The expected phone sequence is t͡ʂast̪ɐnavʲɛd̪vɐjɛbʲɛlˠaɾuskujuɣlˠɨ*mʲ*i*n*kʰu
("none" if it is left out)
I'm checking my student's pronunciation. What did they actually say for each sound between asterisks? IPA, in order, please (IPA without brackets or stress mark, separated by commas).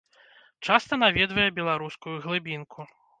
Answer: bʲ, n